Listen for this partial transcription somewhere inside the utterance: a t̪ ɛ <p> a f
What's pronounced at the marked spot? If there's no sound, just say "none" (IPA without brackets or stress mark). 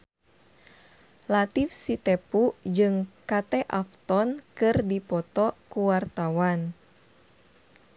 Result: ʔ